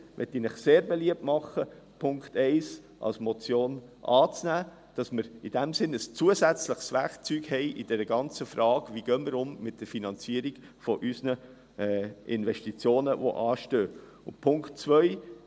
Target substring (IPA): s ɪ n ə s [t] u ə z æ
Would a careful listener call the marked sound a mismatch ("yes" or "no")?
yes